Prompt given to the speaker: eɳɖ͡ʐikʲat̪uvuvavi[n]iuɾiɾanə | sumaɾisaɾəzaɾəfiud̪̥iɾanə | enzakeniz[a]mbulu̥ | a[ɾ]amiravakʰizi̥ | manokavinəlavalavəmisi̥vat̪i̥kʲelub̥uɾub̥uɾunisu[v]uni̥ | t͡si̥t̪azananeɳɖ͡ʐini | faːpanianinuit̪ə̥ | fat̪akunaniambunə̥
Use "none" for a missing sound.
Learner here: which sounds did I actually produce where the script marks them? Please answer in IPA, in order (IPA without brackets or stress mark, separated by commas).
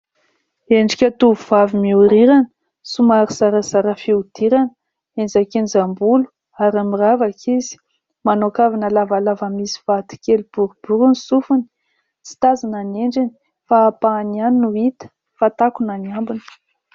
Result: m, a, ɾ, f